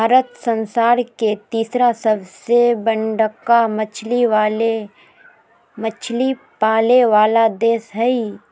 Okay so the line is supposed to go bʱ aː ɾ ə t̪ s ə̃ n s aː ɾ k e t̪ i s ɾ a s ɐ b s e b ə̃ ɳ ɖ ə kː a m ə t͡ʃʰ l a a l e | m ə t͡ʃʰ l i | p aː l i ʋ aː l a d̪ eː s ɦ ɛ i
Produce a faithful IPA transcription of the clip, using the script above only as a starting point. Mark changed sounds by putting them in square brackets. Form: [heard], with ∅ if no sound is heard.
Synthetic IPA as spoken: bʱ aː ɾ ə t̪ s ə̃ n s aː ɾ k e t̪ [iː] s ɾ a s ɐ b s e b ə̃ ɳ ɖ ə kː a m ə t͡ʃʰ l [i] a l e | m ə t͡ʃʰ l i | p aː l [e] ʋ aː l a d̪ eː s ɦ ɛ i